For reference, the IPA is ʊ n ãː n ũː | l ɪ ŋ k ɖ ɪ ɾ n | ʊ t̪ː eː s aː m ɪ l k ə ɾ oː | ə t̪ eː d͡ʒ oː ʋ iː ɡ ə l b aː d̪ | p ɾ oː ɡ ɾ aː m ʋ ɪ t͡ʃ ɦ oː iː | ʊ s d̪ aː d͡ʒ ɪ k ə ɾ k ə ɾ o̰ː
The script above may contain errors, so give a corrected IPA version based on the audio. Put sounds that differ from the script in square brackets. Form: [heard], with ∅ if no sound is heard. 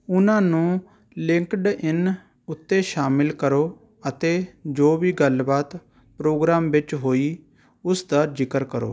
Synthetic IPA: ʊ n ãː n ũː | l ɪ ŋ k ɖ ɪ [∅] n | ʊ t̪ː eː [ʃ] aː m ɪ l k ə ɾ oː | ə t̪ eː d͡ʒ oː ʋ iː ɡ ə l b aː [t̪] | p ɾ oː ɡ ɾ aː m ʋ ɪ t͡ʃ ɦ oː iː | ʊ s d̪ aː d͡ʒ ɪ k ə ɾ k ə ɾ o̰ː